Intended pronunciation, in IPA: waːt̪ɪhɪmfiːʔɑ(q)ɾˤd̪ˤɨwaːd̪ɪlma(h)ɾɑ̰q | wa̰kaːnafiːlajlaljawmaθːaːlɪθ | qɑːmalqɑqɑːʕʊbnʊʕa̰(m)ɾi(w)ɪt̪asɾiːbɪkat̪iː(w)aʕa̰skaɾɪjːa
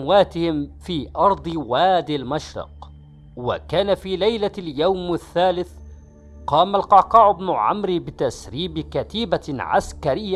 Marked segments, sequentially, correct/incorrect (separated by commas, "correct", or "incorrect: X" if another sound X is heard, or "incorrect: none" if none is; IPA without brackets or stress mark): incorrect: none, incorrect: ʃ, correct, incorrect: b, incorrect: b